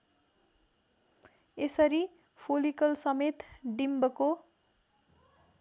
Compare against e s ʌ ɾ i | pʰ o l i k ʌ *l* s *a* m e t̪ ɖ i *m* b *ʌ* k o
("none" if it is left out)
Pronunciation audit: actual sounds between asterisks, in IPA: l, ʌ, m, ʌ

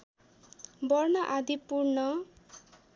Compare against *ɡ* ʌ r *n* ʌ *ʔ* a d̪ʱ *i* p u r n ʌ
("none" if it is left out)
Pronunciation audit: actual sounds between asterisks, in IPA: b, n, ʔ, i

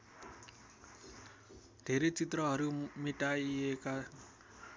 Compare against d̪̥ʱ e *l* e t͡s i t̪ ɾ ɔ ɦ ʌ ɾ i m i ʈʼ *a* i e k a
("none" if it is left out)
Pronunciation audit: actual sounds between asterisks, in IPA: ɾ, a

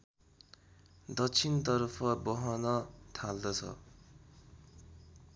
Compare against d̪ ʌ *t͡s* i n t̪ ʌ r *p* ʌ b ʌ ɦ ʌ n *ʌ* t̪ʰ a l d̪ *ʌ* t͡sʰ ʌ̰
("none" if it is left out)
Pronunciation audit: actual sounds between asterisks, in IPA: t͡sʰ, pʰ, ʌ, ʌ

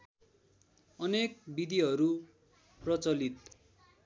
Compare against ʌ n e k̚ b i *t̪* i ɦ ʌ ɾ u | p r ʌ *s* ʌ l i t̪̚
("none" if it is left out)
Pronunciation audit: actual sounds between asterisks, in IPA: d̪, t͡s

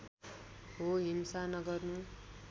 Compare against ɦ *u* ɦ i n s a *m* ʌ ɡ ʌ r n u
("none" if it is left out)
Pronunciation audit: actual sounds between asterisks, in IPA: o, n

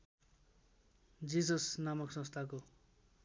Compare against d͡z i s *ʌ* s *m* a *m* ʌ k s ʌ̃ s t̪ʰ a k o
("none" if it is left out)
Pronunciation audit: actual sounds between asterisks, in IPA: ʌ, n, m

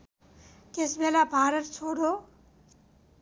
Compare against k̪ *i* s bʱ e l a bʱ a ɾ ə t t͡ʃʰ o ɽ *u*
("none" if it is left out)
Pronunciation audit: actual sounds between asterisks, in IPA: e, o

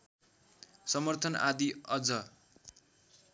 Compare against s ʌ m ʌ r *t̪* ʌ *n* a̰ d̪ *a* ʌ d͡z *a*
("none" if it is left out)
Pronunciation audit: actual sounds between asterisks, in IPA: t̪ʰ, n, i, ʌ

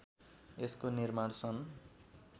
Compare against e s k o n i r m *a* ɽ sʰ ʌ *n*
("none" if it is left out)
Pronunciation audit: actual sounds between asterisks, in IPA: a, n

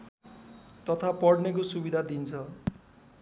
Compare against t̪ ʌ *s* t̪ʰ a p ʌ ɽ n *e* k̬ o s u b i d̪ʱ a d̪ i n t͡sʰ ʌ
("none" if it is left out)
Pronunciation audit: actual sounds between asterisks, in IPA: none, e

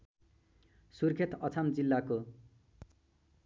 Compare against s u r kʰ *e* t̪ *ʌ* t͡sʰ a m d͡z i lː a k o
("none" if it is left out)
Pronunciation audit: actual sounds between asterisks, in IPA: e, ʌ

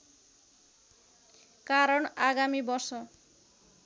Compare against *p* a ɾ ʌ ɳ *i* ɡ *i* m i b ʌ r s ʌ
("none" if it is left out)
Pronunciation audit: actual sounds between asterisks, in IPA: k, a, a

